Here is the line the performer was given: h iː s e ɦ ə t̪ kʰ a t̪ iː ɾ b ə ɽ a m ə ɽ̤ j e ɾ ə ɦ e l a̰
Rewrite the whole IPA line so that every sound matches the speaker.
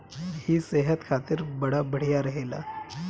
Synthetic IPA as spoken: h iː s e ɦ ə t̪ kʰ a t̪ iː ɾ b ə ɽ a b ə ɽ̤ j a ɾ ə ɦ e l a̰